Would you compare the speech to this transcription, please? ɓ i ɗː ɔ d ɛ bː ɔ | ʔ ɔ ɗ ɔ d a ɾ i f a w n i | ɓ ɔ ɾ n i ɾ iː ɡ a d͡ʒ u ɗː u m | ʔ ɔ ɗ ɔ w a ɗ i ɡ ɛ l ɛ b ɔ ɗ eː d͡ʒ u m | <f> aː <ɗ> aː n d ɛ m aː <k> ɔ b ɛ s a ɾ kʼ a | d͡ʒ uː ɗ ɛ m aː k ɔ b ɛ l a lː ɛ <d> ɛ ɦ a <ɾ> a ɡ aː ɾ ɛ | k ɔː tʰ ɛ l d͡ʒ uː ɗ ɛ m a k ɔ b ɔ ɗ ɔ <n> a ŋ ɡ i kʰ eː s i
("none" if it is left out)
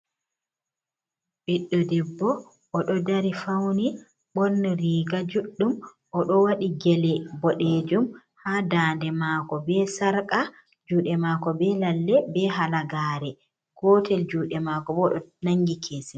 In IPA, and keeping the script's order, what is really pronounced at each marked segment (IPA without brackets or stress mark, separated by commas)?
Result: h, d, k, b, l, n